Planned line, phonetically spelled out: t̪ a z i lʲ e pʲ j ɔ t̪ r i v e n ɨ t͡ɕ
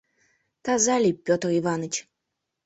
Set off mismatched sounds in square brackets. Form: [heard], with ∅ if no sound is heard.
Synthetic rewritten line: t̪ a z [a] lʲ [i] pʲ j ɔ t̪ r i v [a] n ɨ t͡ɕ